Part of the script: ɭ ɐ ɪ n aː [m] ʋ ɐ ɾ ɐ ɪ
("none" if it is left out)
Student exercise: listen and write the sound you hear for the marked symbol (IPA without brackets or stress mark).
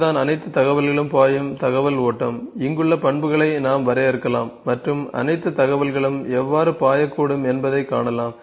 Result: m